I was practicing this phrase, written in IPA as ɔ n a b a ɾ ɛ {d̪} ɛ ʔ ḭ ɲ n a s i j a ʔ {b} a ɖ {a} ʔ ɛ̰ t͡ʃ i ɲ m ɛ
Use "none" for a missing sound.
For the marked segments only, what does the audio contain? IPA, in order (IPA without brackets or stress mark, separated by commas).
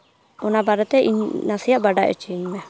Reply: t̪, b, a